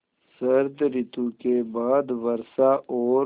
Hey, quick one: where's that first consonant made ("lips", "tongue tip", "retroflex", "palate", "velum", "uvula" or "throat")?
tongue tip